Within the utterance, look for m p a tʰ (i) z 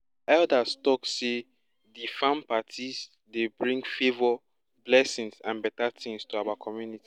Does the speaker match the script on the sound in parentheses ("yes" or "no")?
yes